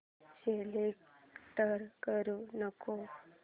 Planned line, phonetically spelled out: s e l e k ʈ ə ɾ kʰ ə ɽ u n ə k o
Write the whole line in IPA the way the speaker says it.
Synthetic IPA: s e l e k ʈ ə ɾ k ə ɾ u n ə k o